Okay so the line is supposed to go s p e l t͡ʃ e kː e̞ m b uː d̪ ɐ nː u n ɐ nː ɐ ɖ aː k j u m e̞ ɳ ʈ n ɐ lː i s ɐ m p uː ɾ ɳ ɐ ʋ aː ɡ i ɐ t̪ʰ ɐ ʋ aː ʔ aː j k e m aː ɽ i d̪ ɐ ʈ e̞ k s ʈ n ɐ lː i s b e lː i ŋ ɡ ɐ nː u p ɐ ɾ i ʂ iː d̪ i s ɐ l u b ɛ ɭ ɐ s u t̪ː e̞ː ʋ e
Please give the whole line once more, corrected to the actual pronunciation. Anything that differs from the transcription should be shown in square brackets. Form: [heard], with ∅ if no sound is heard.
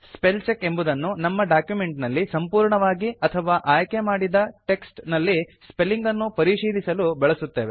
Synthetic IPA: s p e l t͡ʃ e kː e̞ m b [u] d̪ ɐ nː u n ɐ [mː] ɐ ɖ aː k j u m e̞ ɳ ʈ n ɐ lː i s ɐ m p uː ɾ ɳ ɐ ʋ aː ɡ i ɐ t̪ʰ ɐ ʋ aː ʔ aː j k e m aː ɽ i d̪ ɐ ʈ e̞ k s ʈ n ɐ lː i s [p] e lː i ŋ ɡ ɐ nː u p ɐ ɾ i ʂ iː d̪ i s ɐ l u b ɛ ɭ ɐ s u t̪ː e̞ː ʋ e